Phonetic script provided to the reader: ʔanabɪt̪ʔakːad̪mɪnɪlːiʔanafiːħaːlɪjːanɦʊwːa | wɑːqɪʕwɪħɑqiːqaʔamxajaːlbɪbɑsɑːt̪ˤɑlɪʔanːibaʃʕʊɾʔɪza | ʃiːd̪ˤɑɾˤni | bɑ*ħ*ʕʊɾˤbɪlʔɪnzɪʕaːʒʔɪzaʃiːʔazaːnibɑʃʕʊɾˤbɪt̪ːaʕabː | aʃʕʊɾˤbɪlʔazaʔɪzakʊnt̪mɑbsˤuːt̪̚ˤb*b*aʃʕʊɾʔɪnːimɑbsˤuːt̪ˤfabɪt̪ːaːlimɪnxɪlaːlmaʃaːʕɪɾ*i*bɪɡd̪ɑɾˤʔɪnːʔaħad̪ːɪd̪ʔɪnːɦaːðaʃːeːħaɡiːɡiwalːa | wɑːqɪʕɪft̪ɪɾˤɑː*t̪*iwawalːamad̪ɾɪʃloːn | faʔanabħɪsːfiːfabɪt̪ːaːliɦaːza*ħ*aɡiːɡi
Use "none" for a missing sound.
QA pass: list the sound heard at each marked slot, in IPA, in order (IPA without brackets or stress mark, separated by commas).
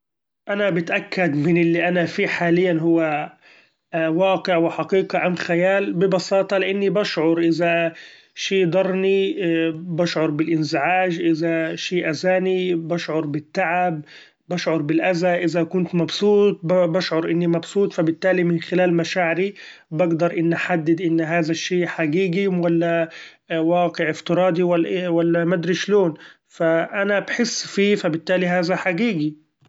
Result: ʃ, b, i, d̪, ħ